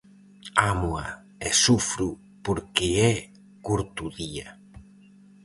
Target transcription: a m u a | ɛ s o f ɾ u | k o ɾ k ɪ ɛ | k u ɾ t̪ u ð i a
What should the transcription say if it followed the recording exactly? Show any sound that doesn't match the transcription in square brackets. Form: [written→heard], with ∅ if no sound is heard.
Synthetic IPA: a m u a | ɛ s [o→u] f ɾ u | [k→p] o ɾ k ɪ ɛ | k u ɾ t̪ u ð i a